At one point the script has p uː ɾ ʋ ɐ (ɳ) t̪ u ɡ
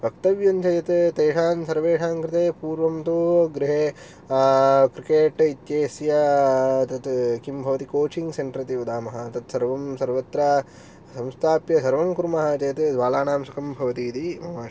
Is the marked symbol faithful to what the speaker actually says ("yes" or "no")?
no